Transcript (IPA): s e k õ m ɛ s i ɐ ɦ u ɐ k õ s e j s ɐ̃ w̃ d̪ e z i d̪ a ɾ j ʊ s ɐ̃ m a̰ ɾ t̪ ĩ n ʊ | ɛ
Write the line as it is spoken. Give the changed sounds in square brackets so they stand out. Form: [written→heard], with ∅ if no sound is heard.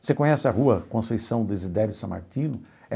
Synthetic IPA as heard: s e k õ [m→ɲ] ɛ s [i→ɪ] ɐ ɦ u ɐ k õ s e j s ɐ̃ w̃ d̪ e z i d̪ [a→ɛ] ɾ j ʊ s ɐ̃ m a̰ ɾ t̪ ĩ n ʊ | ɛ